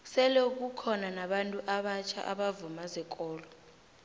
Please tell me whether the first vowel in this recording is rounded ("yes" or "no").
no